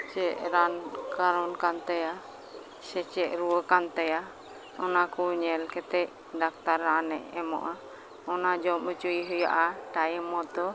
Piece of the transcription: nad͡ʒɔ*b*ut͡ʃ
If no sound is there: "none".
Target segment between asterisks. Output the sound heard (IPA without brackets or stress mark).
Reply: m